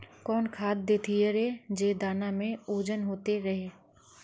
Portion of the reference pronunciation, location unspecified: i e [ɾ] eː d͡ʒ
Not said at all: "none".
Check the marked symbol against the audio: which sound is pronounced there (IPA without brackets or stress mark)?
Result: ɾ